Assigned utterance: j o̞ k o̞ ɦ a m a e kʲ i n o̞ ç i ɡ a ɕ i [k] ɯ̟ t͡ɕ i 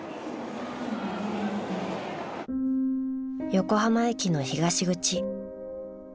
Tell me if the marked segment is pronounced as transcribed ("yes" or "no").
no